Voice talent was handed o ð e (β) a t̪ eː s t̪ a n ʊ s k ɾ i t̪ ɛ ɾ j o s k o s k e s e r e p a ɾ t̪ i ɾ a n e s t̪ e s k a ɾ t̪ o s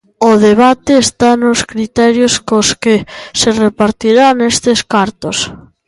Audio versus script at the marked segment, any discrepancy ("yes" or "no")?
no